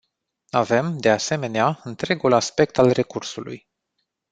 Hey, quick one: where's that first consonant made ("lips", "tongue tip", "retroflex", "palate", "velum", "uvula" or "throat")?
lips